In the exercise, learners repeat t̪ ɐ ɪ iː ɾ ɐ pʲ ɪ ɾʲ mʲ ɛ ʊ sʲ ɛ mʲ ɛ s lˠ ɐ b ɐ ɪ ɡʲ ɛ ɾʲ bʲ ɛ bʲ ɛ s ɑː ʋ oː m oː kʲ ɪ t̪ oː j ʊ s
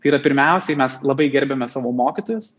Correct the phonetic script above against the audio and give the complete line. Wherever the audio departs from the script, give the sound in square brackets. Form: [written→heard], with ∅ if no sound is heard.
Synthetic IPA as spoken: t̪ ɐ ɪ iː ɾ ɐ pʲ ɪ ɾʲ mʲ ɛ ʊ sʲ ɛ mʲ ɛ s lˠ ɐ b ɐ ɪ ɡʲ ɛ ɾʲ bʲ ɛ [bʲ→mʲ] ɛ s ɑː ʋ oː m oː kʲ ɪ t̪ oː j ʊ s